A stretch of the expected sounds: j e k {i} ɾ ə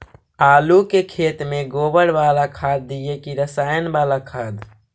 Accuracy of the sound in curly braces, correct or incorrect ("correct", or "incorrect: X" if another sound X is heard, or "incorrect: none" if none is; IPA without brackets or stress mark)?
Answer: correct